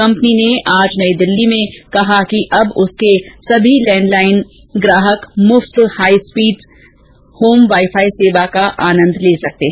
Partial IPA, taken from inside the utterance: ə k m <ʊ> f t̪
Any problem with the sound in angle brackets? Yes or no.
no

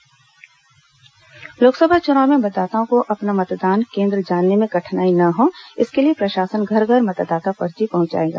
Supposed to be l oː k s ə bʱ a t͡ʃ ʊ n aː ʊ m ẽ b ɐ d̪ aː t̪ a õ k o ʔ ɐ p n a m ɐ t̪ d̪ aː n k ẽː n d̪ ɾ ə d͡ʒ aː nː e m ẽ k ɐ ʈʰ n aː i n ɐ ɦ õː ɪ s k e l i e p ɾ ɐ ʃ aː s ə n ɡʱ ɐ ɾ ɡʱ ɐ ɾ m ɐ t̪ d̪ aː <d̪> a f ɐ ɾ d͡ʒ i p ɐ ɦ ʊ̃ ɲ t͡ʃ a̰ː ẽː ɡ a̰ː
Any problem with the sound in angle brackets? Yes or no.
yes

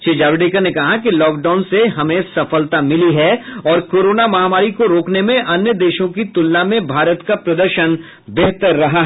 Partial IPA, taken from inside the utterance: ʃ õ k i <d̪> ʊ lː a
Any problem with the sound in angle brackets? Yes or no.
yes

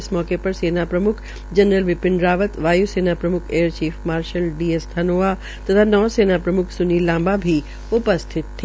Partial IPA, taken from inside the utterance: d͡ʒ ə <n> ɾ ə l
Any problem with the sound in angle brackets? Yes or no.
no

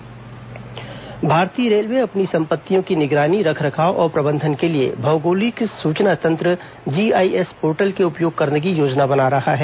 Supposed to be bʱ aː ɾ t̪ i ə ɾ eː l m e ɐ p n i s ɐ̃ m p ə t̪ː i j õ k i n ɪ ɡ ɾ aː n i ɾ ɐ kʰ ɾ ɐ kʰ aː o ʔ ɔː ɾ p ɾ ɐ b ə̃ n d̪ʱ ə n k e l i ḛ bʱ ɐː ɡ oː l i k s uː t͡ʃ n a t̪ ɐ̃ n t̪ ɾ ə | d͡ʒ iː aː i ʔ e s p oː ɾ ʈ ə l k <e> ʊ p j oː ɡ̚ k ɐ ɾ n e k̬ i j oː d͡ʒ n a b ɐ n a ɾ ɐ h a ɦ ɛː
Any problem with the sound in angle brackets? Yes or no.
no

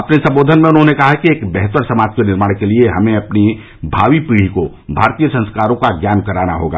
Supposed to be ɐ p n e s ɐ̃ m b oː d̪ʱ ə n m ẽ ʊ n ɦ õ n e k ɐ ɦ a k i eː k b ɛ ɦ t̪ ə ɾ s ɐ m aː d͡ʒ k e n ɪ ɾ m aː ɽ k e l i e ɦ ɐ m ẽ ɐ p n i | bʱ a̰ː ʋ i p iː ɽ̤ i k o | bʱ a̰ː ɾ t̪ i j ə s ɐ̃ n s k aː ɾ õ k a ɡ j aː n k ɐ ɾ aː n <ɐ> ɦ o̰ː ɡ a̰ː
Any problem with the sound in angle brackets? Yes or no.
yes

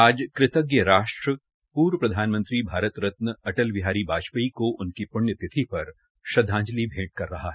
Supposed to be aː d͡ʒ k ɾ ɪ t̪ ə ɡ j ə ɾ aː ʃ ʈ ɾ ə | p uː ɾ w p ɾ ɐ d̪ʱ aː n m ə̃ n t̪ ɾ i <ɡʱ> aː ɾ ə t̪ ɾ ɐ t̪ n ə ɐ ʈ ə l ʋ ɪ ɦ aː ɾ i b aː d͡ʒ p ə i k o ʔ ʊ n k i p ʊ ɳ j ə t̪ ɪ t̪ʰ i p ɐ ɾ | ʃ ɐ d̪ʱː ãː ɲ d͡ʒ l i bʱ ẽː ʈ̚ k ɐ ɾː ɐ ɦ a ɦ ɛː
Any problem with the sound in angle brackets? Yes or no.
yes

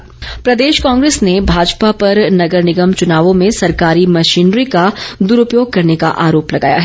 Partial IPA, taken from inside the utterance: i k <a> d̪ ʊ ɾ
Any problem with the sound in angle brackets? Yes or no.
no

